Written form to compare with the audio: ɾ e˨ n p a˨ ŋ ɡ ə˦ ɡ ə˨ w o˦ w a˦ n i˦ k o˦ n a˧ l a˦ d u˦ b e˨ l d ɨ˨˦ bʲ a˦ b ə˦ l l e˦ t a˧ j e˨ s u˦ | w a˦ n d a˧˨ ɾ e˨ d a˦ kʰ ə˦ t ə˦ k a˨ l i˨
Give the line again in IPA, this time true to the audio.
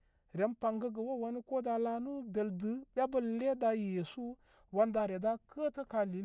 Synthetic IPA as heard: ɾ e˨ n p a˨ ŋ ɡ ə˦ ɡ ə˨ w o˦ w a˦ n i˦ k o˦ d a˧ l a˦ n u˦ b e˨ l d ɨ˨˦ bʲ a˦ b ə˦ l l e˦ d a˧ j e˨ s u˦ | w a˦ n d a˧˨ ɾ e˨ d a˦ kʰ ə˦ t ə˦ k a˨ l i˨